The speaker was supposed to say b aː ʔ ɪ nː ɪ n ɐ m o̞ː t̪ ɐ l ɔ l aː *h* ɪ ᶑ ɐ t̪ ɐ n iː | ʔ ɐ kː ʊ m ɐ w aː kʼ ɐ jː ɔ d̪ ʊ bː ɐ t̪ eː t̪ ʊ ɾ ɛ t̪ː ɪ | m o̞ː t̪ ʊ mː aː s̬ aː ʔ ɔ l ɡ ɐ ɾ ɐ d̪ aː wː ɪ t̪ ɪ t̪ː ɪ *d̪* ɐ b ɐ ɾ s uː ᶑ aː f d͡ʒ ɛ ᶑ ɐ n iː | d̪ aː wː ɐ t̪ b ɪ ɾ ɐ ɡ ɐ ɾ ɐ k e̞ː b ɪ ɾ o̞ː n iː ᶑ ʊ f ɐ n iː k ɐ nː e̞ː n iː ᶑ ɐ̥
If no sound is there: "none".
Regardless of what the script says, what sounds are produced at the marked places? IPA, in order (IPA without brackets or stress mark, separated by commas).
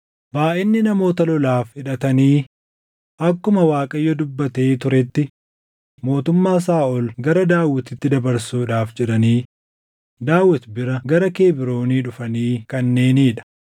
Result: f, d̪